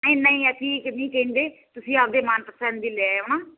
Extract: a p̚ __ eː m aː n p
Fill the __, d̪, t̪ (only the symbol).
d̪